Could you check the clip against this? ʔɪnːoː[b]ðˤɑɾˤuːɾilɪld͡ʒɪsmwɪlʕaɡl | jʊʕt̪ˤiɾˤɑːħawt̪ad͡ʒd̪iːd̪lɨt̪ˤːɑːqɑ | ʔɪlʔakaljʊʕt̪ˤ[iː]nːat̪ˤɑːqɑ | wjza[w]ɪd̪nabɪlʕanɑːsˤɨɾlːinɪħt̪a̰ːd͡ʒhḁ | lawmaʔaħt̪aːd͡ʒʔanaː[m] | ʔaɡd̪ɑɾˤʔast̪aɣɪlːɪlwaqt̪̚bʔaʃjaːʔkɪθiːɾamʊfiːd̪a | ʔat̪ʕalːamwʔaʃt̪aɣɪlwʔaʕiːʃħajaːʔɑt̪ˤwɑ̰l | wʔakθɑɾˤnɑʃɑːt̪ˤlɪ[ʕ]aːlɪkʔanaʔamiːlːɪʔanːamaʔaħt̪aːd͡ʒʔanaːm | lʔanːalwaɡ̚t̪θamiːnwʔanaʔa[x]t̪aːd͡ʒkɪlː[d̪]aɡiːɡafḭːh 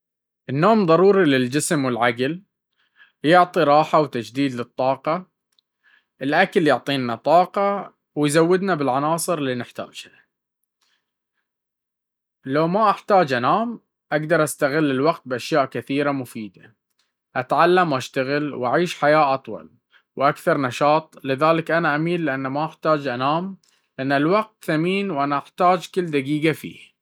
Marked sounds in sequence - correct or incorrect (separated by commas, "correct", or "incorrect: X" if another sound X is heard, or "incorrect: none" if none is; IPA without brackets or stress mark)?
incorrect: m, correct, incorrect: wː, correct, incorrect: ð, incorrect: ħ, correct